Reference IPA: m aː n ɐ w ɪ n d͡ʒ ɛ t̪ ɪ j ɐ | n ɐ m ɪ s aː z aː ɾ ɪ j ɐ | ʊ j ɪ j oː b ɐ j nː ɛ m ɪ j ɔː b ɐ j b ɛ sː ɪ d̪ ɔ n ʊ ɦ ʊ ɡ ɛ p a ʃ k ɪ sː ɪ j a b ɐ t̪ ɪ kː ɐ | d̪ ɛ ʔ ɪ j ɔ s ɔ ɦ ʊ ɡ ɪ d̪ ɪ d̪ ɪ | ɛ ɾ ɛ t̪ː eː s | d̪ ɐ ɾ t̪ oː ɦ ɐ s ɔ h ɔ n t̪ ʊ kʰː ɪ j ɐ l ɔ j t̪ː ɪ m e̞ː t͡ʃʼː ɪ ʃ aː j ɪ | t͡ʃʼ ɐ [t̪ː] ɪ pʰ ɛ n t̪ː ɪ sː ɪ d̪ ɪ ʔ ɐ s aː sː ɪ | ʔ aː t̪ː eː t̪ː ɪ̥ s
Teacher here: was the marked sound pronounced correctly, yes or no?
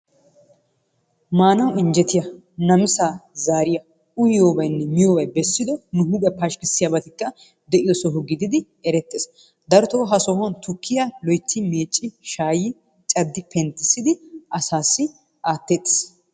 no